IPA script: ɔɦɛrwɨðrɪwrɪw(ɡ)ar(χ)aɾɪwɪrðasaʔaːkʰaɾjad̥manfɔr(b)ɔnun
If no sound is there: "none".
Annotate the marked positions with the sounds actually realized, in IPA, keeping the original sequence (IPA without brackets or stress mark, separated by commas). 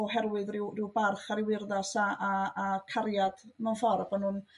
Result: b, χ, b